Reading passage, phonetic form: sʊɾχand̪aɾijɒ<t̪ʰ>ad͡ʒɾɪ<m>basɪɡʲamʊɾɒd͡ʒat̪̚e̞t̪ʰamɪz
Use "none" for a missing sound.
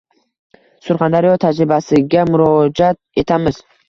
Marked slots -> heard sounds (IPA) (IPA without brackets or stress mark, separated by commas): t̪ʰ, none